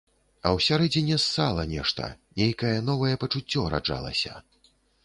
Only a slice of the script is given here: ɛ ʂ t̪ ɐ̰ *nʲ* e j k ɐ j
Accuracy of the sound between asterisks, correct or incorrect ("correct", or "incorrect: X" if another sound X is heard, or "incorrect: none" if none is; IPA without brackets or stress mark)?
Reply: correct